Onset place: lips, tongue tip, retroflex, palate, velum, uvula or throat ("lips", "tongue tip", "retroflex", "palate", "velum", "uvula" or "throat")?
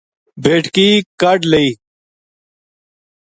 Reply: lips